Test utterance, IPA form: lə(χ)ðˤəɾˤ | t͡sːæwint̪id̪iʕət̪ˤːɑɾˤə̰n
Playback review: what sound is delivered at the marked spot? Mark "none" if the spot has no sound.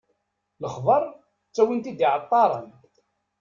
χ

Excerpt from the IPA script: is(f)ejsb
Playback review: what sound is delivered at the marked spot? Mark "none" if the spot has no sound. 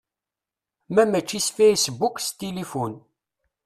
f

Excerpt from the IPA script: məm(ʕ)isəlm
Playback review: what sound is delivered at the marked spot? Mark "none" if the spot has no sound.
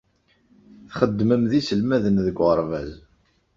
ð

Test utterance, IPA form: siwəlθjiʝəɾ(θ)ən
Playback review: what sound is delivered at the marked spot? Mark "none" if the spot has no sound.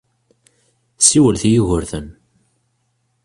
θ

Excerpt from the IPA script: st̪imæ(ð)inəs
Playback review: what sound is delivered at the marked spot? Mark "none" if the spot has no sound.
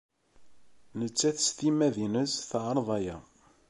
ð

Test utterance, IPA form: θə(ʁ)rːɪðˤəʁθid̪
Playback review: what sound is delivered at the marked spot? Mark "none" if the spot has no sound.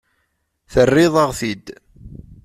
none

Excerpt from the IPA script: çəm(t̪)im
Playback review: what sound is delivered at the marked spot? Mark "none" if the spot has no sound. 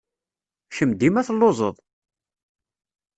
d̪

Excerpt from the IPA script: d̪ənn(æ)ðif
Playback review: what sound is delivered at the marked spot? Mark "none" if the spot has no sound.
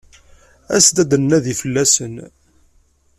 æ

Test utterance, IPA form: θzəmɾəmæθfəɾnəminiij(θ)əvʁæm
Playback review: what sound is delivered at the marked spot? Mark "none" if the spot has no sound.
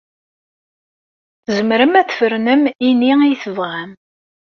θ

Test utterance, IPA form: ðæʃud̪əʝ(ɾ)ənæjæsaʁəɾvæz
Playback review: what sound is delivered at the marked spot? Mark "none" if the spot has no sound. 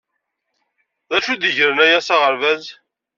ɾ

